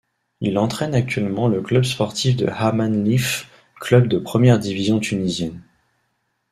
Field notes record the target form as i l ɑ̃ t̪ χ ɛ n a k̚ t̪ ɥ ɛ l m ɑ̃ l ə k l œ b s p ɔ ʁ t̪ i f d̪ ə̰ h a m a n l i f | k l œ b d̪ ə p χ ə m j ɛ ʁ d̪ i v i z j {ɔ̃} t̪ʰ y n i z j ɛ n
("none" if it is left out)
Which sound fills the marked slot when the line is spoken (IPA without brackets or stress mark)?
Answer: ɔ̃